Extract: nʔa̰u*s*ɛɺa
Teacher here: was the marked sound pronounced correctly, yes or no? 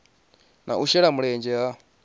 no